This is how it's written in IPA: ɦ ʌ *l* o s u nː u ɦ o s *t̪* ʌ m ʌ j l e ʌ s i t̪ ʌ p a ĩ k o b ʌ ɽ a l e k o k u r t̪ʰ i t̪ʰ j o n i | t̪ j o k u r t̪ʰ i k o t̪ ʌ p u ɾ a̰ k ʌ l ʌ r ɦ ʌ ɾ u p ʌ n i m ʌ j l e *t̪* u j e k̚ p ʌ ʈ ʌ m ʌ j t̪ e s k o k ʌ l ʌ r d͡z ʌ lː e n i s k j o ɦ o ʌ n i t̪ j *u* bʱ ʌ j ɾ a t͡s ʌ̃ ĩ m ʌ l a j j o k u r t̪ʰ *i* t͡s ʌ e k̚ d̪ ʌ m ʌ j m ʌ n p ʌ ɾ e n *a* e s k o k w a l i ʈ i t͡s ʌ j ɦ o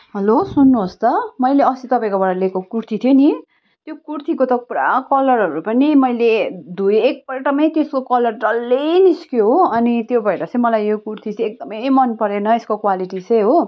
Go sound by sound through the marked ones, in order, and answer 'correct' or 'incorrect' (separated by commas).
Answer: correct, correct, incorrect, incorrect, correct, incorrect